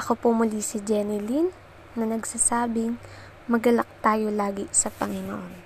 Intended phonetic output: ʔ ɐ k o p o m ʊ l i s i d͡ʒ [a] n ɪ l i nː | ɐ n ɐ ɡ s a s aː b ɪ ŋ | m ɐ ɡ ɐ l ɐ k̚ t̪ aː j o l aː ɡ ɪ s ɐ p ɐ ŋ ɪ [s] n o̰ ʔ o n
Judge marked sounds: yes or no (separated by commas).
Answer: no, no